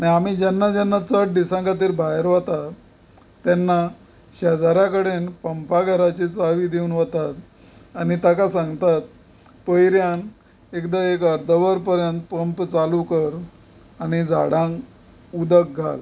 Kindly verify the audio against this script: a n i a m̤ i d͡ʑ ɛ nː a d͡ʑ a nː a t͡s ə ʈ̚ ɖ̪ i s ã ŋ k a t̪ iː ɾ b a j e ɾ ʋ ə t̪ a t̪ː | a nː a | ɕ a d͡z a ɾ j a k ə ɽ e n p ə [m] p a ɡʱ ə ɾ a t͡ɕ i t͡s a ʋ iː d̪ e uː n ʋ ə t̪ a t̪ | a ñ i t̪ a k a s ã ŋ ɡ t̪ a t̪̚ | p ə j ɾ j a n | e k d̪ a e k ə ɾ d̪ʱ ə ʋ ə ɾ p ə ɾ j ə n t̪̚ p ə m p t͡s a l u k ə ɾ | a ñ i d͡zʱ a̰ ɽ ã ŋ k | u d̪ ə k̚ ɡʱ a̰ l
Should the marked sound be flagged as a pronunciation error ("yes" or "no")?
no